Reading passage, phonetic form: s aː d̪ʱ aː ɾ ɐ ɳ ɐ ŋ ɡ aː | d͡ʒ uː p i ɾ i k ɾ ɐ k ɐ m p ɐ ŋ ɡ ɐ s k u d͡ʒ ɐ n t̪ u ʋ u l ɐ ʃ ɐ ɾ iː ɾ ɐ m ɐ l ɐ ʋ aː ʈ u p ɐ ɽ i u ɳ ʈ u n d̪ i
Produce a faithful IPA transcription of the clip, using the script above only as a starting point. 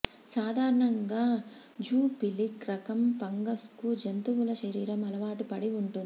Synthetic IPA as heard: s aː d̪ʱ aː ɾ ɐ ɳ ɐ ŋ ɡ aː | d͡ʒ uː p i l i k ɾ ɐ k ɐ m p ɐ ŋ ɡ ɐ s k u d͡ʒ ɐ n t̪ u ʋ u l ɐ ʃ ɐ ɾ iː ɾ ɐ m ɐ l ɐ ʋ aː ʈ u p ɐ ɽ i u ɳ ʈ u n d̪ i